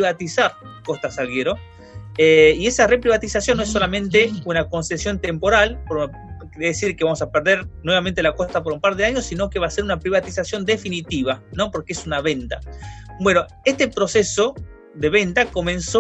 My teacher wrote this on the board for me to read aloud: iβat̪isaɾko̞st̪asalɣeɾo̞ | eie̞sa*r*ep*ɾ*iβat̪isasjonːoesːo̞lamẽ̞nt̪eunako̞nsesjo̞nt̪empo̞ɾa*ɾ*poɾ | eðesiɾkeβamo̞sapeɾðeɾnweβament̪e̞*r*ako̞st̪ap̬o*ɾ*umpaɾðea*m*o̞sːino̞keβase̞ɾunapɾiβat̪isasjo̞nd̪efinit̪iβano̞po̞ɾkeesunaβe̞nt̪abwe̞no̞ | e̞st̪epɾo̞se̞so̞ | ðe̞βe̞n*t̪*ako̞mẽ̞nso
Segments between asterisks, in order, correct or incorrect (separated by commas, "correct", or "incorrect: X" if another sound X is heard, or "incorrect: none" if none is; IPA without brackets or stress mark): correct, correct, incorrect: l, incorrect: l, correct, incorrect: ɲ, correct